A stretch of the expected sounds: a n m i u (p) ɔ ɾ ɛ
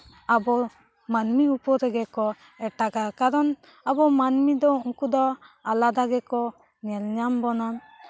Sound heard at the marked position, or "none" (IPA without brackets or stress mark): p